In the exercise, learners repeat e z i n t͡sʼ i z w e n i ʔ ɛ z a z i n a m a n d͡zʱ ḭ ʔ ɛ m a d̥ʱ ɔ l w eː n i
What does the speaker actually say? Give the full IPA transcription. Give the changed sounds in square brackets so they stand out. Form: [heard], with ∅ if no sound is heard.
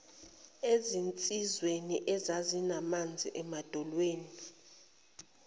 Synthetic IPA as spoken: e z i n t͡sʼ i z w e n i ʔ ɛ z a z i n a m a n d͡zʱ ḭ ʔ ɛ m a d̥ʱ ɔ l w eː n i